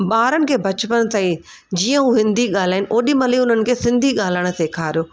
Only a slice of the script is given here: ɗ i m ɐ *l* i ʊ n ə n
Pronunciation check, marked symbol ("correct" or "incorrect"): correct